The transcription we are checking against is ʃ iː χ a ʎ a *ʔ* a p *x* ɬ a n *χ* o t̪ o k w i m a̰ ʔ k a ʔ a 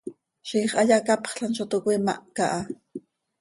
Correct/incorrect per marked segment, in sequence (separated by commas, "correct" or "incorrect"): incorrect, incorrect, incorrect